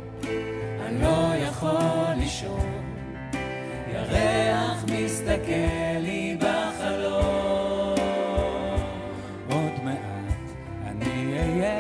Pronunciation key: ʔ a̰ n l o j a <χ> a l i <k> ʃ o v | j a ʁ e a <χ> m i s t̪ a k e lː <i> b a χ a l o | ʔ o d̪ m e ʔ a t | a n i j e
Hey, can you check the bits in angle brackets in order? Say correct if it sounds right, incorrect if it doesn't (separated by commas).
correct, incorrect, correct, correct